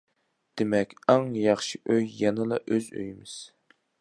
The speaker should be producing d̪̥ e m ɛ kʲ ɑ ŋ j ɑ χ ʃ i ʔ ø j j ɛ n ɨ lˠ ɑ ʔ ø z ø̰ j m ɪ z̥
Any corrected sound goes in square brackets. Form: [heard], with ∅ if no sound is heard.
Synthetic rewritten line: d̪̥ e m ɛ kʲ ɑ ŋ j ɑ χ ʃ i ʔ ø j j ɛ n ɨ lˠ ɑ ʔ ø z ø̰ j m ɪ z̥